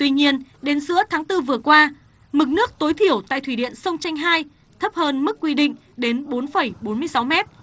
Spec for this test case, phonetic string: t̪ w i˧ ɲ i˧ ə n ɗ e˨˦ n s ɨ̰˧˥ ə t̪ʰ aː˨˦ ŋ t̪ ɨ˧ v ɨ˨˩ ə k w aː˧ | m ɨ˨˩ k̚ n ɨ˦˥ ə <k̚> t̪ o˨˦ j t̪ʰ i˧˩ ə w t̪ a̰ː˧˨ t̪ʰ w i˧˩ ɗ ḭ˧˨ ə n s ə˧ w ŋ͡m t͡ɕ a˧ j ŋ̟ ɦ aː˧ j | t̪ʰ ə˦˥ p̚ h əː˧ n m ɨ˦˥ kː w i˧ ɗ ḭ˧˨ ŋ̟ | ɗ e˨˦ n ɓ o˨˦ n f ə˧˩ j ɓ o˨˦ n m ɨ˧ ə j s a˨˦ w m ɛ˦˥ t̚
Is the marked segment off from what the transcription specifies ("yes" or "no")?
no